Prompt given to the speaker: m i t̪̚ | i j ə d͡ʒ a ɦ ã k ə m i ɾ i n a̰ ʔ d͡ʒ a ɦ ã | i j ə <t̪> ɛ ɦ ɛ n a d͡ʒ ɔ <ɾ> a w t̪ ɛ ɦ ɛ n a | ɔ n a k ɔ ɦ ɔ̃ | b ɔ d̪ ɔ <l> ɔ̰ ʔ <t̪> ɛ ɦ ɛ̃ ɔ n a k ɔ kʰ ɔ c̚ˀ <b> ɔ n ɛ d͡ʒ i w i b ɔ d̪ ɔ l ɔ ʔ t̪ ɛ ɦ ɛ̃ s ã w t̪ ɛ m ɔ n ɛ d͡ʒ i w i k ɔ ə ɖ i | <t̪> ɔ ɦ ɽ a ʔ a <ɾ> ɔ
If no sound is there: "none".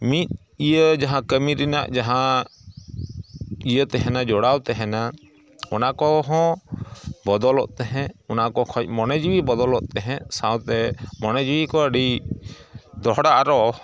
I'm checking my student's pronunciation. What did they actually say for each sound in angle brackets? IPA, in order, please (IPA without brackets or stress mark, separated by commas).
t̪, ɽ, l, t̪, m, d̪, ɾ